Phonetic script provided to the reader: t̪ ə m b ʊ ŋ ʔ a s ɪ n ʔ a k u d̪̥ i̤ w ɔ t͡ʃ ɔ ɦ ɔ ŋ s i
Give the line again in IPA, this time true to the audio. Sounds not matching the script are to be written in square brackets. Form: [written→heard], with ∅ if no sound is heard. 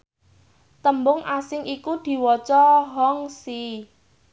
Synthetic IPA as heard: t̪ ə m b ʊ ŋ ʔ a s ɪ [n→ŋ] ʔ [a→i] k u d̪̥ i̤ w ɔ t͡ʃ ɔ ɦ ɔ ŋ s i